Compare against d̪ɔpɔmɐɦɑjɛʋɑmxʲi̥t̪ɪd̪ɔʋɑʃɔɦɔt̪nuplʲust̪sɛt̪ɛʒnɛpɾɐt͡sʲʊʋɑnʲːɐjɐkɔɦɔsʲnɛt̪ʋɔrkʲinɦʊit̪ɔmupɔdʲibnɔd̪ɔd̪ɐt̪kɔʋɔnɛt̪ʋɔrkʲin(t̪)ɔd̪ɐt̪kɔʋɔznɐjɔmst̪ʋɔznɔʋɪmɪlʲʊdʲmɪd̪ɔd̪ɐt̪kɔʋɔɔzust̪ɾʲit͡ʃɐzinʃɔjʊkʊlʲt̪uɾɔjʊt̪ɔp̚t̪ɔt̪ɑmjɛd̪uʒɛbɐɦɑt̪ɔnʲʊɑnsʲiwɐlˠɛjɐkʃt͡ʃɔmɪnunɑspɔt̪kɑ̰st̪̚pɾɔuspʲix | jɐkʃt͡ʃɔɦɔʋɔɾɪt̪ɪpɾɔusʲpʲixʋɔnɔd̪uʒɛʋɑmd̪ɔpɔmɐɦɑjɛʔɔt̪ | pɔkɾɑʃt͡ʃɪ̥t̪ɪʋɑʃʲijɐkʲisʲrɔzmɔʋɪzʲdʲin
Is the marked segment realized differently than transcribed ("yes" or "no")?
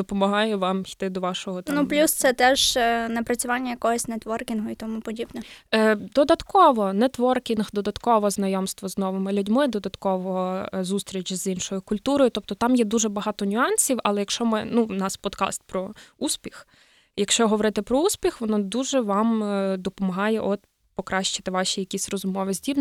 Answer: yes